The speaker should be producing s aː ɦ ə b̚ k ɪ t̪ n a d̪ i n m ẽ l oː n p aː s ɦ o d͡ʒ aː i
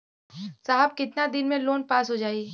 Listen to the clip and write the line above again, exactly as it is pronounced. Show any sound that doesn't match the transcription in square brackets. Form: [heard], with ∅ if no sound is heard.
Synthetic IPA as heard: s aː ɦ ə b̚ k ɪ t̪ n a d̪ [ɪ] n m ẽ l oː n p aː s ɦ o d͡ʒ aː i